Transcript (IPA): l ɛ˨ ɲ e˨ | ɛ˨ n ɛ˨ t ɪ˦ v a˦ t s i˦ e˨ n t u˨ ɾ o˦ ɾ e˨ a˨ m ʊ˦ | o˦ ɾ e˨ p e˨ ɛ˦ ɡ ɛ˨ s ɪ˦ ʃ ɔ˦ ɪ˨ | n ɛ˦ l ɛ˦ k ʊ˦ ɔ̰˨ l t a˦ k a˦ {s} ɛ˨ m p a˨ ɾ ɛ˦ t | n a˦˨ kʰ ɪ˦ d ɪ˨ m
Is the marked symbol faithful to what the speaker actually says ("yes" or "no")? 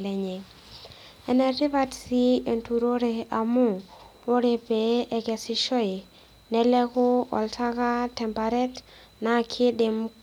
no